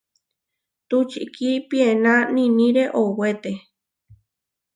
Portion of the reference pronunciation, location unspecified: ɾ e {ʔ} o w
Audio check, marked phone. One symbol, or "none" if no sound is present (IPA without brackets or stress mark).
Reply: ʔ